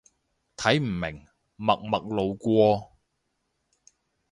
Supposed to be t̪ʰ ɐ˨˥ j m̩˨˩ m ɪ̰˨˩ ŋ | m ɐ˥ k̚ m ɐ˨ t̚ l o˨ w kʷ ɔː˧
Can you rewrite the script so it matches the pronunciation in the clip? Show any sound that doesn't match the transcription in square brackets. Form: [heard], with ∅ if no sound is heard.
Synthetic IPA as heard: t̪ʰ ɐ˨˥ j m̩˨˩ m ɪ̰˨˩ ŋ | m [ɐ˨] k̚ m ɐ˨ [k̚] l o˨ w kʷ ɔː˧